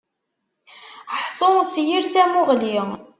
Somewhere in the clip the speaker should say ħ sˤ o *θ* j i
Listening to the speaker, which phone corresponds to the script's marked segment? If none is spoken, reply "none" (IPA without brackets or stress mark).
s